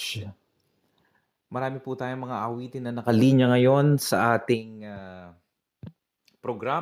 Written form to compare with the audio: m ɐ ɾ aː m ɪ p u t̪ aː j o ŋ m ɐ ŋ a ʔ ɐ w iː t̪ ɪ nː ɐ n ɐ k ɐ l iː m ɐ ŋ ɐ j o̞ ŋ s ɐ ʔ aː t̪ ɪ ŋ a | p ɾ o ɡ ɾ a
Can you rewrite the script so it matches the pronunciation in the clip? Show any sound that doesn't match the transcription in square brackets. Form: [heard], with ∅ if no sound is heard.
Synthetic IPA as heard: m ɐ ɾ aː m ɪ p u t̪ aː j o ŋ m ɐ ŋ a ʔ ɐ w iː t̪ ɪ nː ɐ n ɐ k ɐ l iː [ɲ] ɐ ŋ ɐ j o̞ [n] s ɐ ʔ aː t̪ ɪ ŋ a | p ɾ o ɡ ɾ a